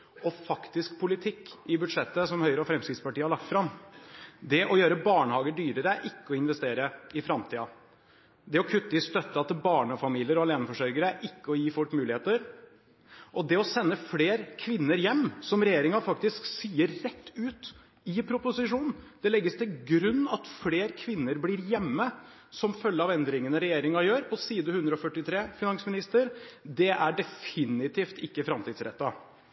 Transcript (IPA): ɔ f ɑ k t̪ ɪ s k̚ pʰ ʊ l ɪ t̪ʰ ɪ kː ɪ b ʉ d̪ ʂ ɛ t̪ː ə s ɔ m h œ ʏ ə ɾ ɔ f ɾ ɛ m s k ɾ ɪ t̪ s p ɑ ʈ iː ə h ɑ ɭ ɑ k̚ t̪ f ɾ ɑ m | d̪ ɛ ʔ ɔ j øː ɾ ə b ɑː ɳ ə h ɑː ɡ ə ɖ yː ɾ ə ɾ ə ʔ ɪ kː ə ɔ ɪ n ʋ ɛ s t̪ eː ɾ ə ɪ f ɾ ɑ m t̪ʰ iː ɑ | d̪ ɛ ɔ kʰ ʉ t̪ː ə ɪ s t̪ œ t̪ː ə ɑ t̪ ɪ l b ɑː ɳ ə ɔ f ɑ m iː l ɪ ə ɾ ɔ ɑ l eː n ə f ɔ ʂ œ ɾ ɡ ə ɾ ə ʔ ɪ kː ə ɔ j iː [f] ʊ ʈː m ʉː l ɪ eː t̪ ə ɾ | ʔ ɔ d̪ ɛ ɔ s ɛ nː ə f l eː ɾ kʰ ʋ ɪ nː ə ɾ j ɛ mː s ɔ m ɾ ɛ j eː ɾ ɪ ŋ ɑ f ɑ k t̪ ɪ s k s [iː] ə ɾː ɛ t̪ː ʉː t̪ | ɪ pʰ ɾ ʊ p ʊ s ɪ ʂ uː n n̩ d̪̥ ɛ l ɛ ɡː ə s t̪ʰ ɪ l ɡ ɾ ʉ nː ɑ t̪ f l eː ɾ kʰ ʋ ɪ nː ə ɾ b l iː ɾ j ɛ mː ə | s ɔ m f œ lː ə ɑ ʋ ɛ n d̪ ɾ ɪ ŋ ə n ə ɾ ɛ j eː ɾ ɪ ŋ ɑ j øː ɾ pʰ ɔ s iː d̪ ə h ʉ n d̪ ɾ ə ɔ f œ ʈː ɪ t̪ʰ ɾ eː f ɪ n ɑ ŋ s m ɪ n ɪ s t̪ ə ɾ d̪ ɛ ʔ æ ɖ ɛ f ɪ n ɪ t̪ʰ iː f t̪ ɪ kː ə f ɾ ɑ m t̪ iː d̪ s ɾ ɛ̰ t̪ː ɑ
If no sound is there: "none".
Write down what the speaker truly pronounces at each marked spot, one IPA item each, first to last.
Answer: f, iː

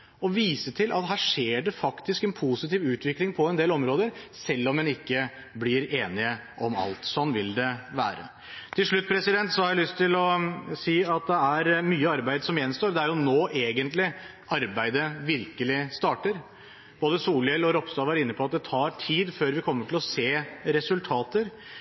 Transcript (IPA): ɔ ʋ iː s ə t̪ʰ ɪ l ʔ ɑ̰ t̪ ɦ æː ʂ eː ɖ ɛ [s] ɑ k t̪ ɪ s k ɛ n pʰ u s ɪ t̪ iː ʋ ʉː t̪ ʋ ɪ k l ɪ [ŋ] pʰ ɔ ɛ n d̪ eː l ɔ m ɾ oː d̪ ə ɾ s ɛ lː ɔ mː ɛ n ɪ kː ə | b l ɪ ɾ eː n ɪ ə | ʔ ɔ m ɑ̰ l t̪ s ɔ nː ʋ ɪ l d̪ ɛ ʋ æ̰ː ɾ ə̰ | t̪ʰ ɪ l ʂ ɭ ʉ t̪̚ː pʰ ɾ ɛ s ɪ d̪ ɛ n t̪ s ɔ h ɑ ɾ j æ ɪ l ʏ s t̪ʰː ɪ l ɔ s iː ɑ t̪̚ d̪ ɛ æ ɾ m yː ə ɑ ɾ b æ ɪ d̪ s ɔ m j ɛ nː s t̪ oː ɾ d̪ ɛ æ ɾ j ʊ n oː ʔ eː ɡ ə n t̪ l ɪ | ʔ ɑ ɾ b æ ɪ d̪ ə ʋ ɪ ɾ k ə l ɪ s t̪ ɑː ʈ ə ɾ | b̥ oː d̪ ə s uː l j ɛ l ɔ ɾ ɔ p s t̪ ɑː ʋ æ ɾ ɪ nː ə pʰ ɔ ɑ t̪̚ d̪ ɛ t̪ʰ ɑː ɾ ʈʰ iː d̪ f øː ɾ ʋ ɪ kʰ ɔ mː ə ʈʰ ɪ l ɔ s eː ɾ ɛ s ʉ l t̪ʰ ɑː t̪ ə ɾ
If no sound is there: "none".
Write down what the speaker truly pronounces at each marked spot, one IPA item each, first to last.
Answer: f, ŋ

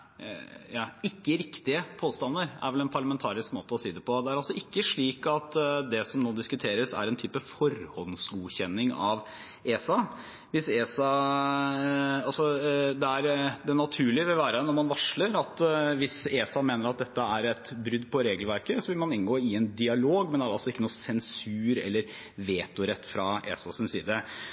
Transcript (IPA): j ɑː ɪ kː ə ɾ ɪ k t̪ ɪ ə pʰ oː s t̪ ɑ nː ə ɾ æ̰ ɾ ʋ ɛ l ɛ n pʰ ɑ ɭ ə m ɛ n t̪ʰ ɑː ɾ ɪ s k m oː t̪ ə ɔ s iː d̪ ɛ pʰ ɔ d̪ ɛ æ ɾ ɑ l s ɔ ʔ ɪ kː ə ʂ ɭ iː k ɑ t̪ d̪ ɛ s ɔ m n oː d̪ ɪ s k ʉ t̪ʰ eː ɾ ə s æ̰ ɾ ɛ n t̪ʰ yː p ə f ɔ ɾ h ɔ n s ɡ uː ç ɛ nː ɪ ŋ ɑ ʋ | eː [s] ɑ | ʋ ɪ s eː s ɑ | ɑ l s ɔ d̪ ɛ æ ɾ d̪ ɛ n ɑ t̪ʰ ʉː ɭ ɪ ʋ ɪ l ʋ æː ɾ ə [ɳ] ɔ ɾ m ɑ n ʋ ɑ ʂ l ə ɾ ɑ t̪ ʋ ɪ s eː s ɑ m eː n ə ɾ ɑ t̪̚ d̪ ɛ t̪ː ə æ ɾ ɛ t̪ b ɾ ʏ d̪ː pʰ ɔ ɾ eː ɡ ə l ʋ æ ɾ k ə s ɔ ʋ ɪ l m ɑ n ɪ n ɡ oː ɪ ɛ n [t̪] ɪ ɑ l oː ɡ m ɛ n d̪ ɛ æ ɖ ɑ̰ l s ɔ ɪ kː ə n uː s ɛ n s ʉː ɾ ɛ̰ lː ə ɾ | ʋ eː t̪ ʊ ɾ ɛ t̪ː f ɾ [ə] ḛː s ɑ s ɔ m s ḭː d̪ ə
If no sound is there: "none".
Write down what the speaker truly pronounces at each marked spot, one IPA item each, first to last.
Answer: s, n, d̪, ɑ

